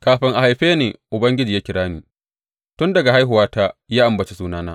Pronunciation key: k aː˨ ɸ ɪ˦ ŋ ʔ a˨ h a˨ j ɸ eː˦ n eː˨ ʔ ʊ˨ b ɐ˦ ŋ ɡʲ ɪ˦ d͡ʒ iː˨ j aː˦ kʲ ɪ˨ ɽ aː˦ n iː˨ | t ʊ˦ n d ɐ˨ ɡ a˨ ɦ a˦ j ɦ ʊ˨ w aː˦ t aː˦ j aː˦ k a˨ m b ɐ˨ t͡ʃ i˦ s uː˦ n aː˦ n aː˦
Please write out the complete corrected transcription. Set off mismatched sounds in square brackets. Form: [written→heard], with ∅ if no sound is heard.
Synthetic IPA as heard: k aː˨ ɸ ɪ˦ ŋ ʔ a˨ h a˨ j ɸ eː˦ n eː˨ ʔ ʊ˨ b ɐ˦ ŋ ɡʲ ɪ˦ d͡ʒ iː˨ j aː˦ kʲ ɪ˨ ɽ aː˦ n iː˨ | t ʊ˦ n d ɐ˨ ɡ a˨ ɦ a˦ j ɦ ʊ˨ w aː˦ t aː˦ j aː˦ [k→ʔ] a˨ m b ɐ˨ t͡ʃ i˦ s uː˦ n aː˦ n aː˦

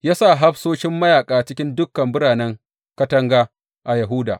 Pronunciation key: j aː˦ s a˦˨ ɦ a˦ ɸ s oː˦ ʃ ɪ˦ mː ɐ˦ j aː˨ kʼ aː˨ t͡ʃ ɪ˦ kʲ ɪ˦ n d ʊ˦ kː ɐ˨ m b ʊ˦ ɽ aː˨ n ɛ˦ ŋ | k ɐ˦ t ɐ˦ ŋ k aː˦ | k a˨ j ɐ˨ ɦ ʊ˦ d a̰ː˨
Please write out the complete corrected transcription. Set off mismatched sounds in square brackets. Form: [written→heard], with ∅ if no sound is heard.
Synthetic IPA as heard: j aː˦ s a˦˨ ɦ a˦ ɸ s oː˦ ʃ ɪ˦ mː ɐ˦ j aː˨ kʼ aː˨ t͡ʃ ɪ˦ kʲ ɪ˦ n d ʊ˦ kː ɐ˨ m b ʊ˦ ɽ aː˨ n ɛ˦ ŋ | k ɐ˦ t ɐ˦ ŋ [k→ɡ] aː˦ | [k→ʔ] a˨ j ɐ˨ ɦ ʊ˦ d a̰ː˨

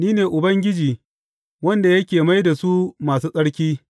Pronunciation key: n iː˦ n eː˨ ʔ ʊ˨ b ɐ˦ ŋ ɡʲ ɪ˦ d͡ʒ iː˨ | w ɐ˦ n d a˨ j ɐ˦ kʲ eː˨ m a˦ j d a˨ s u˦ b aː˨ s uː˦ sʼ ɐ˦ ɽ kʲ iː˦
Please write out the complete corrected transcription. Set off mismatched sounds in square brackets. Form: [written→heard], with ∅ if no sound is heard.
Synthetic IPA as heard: n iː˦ n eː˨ ʔ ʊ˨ b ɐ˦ ŋ ɡʲ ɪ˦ d͡ʒ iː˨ | w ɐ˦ n d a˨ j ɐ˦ kʲ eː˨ m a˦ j d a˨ s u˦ [b→m] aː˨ s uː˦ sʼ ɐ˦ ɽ kʲ iː˦

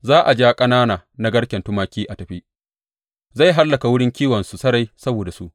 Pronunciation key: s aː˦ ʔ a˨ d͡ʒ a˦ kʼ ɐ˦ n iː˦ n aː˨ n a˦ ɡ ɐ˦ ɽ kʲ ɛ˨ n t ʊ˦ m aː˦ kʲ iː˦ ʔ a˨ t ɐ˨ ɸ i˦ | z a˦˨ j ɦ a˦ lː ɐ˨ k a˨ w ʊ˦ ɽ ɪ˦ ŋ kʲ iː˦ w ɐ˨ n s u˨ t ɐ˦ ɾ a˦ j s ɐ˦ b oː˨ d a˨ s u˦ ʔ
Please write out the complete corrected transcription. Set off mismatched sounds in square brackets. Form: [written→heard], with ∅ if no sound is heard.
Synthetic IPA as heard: [s→z] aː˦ ʔ a˨ d͡ʒ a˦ kʼ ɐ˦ n [iː˦→aː˦] n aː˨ n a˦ ɡ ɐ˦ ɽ kʲ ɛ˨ n t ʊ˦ m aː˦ kʲ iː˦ ʔ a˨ t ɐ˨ ɸ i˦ | z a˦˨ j ɦ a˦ lː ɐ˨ k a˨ w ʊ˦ ɽ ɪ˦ ŋ kʲ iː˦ w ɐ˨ n s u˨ [t→s] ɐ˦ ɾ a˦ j s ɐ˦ b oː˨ d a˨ s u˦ ʔ

